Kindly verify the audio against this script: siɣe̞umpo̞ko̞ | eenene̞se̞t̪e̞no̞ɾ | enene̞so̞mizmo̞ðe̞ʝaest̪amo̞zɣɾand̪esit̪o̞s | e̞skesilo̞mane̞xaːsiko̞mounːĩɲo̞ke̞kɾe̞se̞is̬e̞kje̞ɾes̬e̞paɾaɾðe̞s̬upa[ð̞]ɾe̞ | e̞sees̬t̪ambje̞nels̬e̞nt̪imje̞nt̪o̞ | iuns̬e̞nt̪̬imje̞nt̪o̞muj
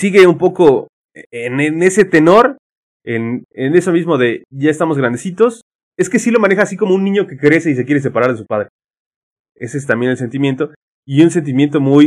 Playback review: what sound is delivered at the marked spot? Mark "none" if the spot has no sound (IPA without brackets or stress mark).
ð̞